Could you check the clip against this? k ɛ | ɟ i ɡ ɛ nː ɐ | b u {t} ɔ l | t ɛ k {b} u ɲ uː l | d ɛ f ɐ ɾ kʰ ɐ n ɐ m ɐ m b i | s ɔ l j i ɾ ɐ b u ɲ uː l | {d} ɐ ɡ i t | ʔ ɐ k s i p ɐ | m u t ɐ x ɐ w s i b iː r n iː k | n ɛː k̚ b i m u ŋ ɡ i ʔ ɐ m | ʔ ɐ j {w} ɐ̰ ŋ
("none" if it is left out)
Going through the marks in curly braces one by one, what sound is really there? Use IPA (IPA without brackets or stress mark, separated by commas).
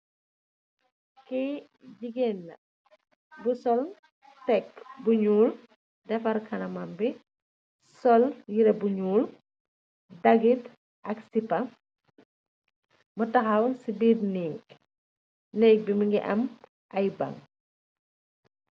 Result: s, b, d, b